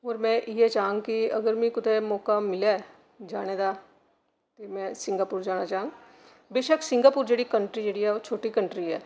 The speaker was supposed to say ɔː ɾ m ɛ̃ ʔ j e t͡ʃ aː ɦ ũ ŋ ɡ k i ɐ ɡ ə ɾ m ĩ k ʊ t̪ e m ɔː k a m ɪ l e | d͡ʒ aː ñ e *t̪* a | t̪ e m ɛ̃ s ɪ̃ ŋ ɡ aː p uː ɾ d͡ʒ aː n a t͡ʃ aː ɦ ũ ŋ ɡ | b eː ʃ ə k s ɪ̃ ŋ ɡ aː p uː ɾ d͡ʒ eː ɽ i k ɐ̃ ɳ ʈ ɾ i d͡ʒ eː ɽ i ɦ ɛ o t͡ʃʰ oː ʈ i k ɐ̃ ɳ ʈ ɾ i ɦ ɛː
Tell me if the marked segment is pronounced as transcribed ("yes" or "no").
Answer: no